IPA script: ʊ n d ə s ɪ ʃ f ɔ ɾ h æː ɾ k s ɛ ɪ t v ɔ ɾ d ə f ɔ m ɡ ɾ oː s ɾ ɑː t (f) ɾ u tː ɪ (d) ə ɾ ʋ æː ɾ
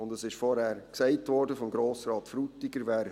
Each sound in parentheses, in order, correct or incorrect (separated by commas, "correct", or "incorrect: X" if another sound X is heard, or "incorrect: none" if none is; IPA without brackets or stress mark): correct, incorrect: ɡ